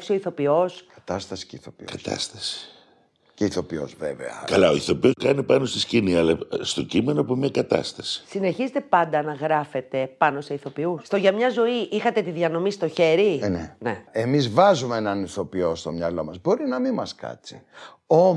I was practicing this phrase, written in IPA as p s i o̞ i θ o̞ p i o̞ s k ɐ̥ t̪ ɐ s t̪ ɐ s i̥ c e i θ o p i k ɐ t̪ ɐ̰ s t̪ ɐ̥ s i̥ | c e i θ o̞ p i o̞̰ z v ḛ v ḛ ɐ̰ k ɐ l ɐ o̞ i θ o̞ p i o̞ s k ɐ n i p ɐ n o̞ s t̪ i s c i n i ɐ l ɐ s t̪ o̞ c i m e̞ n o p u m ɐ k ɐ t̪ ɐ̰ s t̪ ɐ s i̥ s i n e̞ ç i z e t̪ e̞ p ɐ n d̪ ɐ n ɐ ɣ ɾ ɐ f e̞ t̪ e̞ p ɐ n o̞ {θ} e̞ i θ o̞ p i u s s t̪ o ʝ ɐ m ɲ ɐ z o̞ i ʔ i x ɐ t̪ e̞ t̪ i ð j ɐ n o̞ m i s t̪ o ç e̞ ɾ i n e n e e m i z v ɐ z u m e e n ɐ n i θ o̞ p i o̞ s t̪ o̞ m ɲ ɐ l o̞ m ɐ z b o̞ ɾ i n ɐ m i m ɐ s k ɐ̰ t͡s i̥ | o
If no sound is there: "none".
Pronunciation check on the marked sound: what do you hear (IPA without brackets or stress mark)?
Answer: s